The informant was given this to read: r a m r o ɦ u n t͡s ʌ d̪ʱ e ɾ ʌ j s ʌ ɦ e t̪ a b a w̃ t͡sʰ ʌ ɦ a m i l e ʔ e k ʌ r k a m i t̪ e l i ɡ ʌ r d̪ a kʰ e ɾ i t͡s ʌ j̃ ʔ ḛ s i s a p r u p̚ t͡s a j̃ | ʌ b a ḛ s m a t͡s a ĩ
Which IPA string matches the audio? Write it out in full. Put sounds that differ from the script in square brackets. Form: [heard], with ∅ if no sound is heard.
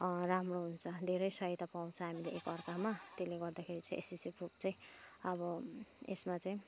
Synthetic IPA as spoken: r a m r o ɦ u n [t͡sʰ] ʌ d̪ʱ e ɾ ʌ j s ʌ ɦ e t̪ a [p] a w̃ t͡sʰ ʌ ɦ a m i l e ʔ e k ʌ r k a m [a] t̪ e l [e] ɡ ʌ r d̪ a kʰ e ɾ i t͡s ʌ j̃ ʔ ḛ s i s [i] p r u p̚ t͡s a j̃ | ʌ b [ʌ] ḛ s m a t͡s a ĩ